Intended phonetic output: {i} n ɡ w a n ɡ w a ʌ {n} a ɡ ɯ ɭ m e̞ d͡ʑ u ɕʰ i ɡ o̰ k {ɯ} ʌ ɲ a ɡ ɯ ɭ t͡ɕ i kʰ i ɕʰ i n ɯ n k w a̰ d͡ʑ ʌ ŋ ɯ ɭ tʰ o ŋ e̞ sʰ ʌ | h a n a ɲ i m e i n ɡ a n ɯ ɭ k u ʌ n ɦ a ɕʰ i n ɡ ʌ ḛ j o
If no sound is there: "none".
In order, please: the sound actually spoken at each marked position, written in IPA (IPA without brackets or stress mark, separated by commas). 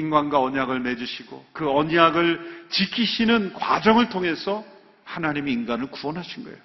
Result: i, ɲ, ɯ